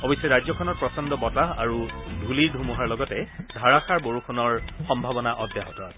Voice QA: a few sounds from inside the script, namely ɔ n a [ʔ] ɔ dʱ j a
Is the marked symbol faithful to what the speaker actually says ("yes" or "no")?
yes